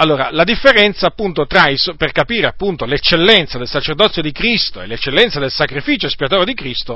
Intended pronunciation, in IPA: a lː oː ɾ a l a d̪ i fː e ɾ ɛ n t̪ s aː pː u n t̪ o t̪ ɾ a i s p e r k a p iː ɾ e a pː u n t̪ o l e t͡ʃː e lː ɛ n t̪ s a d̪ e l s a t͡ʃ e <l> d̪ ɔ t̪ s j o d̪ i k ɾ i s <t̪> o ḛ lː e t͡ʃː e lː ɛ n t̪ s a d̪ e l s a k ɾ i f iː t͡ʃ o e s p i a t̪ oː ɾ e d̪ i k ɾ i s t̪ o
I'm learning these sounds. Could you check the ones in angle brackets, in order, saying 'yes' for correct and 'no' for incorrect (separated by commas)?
no, yes